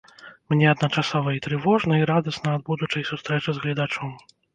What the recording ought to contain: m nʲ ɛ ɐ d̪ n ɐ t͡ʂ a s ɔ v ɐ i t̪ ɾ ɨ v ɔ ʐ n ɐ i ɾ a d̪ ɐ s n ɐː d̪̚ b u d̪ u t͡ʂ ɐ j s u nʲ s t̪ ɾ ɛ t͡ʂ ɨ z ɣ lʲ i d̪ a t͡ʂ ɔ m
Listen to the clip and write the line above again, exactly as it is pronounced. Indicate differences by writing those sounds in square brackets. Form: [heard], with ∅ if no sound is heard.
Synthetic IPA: m nʲ ɛ ɐ d̪ n ɐ t͡ʂ a s ɔ v ɐ i t̪ ɾ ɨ v ɔ ʐ n ɐ i ɾ a d̪ ɐ s n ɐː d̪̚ b u d̪ u t͡ʂ ɐ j s u [∅] s t̪ ɾ ɛ t͡ʂ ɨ z ɣ lʲ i d̪ a t͡ʂ ɔ m